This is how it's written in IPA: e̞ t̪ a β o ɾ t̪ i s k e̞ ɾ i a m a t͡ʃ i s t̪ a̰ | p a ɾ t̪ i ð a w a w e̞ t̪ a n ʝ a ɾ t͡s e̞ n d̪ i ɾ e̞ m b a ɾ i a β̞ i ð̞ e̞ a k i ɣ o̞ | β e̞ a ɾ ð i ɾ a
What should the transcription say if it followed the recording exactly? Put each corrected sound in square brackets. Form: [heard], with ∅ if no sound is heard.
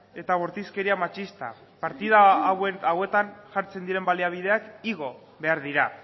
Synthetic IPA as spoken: e̞ t̪ a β o ɾ t̪ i s k e̞ ɾ i a m a t͡ʃ i s t̪ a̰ | p a ɾ t̪ i ð a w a w e̞ t̪ a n ʝ a ɾ t͡s e̞ n d̪ i ɾ e̞ m b a [l] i a β̞ i ð̞ e̞ a k i ɣ o̞ | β e̞ a ɾ ð i ɾ a

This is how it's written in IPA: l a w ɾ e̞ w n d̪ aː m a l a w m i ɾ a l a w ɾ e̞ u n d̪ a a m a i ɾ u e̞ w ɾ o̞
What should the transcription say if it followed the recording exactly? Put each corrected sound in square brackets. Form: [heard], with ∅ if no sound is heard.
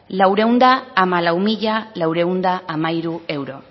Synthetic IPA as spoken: l a w ɾ e̞ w n d̪ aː m a l a w m i [ʎ] a l a w ɾ e̞ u n d̪ a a m a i ɾ u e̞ w ɾ o̞

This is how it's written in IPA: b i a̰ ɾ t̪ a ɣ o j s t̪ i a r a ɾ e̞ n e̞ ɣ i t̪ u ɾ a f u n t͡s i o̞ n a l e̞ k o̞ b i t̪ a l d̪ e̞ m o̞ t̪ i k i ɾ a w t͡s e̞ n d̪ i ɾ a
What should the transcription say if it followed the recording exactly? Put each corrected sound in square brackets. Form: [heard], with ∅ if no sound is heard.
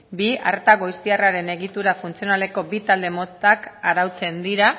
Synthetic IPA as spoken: b i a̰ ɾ t̪ a ɣ o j s t̪ i a r a ɾ e̞ n e̞ ɣ i t̪ u ɾ a f u n t͡s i o̞ n a l e̞ k o̞ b i t̪ a l d̪ e̞ m o̞ t̪ [a] k [a] ɾ a w t͡s e̞ n d̪ i ɾ a

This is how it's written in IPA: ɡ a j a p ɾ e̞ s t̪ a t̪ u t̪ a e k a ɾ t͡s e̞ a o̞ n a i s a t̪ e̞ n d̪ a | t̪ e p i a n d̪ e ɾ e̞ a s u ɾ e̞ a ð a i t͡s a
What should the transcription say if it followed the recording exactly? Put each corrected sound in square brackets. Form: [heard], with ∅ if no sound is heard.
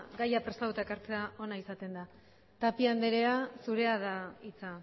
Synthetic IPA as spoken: ɡ a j a p ɾ e̞ s t̪ a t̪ u t̪ a e k a ɾ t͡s e̞ a o̞ n a i s a t̪ e̞ n d̪ a | t̪ [a] p i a n d̪ e ɾ e̞ a s u ɾ e̞ a ð a i t͡s a

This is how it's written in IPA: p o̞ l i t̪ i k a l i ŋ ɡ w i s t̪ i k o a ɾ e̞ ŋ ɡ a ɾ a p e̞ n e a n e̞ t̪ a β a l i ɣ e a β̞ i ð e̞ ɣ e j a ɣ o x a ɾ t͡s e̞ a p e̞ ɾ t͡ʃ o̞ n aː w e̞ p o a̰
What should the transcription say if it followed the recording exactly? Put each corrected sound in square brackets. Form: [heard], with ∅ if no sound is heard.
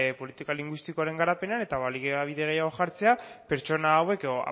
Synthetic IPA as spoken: p o̞ l i t̪ i k a l i ŋ ɡ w i s t̪ i k o a ɾ e̞ ŋ ɡ a ɾ a p e̞ n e a n e̞ t̪ a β a l i ɣ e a β̞ i ð e̞ ɣ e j a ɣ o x a ɾ t͡s e̞ a p e̞ ɾ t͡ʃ o̞ n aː w e̞ [k] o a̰

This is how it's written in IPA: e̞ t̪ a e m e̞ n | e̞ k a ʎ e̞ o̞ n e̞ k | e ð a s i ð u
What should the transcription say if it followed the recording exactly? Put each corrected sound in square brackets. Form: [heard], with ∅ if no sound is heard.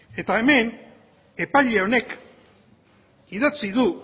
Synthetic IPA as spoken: e̞ t̪ a e m e̞ n | e̞ [p] a ʎ e̞ o̞ n e̞ k | [i] ð a [t͡s] i ð u

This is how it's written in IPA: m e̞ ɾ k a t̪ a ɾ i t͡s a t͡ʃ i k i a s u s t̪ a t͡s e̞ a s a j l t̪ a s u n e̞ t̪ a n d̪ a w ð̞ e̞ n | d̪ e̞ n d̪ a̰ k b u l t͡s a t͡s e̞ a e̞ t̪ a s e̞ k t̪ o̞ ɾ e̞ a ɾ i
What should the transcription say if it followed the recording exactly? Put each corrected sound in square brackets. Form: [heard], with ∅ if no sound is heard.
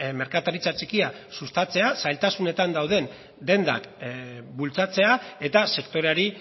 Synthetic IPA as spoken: m e̞ ɾ k a t̪ a ɾ i t͡s a t͡ʃ i k i a s u s t̪ a t͡s e̞ a s a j l t̪ a s u n e̞ t̪ a n d̪ a w ð̞ e̞ n | d̪ e̞ n d̪ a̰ k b u l t͡s a t͡s e̞ a e̞ t̪ a s e̞ k t̪ o̞ ɾ e̞ a ɾ i

